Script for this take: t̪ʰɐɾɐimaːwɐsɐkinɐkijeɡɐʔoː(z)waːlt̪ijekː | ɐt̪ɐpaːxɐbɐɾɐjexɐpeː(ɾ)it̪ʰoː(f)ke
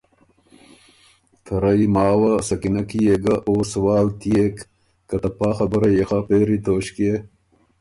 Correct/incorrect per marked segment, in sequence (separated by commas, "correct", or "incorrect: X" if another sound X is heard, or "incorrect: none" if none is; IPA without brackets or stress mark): incorrect: s, correct, incorrect: ɕ